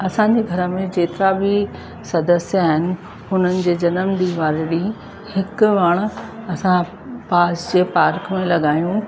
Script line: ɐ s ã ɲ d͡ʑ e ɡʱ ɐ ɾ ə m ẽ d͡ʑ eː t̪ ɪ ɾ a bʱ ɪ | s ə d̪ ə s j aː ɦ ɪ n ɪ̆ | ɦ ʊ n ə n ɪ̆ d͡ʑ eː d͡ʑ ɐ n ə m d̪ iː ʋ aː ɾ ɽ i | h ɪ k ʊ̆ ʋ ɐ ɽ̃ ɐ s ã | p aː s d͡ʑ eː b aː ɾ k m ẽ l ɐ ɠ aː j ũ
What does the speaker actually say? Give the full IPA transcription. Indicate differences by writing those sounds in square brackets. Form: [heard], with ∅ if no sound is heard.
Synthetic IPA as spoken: ɐ s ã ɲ d͡ʑ e ɡʱ ɐ ɾ ə m ẽ d͡ʑ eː t̪ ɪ ɾ a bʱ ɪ | s [ɐ] d̪ ə s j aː ɦ ɪ n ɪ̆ | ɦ ʊ n ə n ɪ̆ d͡ʑ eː d͡ʑ ɐ n ə m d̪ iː ʋ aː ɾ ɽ i | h ɪ k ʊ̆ ʋ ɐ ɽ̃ ɐ s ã | p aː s d͡ʑ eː [p] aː ɾ k m ẽ l ɐ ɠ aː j ũ